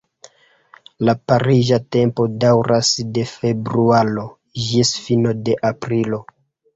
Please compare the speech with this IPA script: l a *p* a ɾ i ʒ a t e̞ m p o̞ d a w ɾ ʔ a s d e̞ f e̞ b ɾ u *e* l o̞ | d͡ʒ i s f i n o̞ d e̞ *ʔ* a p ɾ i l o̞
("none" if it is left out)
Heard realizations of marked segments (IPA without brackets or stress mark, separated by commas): p, a, ʔ